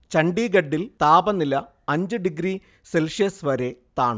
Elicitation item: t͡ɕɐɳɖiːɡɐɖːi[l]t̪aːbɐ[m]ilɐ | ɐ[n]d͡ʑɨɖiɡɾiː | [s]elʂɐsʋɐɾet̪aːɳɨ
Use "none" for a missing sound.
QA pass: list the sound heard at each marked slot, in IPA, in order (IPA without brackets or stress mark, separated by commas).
l, n, ɲ, s